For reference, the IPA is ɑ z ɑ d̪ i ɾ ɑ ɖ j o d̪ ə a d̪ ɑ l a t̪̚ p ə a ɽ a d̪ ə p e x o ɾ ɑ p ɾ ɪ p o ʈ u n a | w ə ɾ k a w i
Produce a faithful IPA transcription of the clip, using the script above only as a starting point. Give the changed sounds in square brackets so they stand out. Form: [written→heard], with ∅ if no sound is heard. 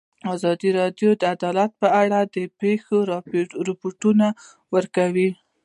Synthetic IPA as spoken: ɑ z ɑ d̪ i ɾ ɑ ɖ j o d̪ ə a d̪ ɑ l a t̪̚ p ə a ɽ a d̪ ə p e x o ɾ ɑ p ɾ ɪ p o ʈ u n a | w ə ɾ k a w i